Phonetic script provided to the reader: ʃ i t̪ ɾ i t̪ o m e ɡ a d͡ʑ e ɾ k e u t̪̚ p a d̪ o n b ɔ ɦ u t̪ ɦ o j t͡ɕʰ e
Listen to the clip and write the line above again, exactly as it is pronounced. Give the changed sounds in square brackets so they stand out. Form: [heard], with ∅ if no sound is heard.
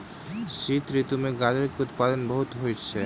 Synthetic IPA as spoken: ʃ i t̪ ɾ i t̪ [u] m e ɡ a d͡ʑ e ɾ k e u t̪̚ p a d̪ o n b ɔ ɦ u t̪ ɦ o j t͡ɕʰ e